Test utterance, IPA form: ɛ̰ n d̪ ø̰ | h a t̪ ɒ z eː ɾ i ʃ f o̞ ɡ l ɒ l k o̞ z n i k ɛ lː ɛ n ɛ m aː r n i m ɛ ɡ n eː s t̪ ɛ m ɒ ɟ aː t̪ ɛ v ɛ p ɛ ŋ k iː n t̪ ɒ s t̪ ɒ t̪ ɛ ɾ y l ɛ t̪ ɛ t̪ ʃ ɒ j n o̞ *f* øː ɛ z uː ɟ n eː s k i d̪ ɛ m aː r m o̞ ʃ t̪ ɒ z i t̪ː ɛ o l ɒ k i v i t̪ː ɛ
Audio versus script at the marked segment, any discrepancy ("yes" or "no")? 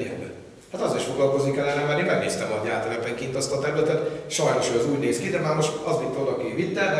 yes